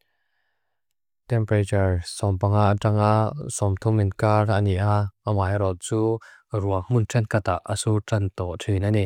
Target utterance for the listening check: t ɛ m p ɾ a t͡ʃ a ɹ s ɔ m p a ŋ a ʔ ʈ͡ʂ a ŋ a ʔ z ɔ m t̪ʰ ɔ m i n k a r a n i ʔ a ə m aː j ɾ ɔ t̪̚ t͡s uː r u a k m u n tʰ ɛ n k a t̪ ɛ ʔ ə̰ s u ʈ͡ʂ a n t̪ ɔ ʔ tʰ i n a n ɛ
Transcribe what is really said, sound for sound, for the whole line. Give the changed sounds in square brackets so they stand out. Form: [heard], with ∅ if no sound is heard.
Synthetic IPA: t ɛ m p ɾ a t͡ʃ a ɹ s ɔ m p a ŋ a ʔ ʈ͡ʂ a ŋ a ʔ [s] ɔ m t̪ʰ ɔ m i n k a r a n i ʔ a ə m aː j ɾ ɔ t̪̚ t͡s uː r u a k m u n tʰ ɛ n k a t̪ [a] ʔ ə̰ s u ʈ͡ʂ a n t̪ ɔ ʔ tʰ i n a n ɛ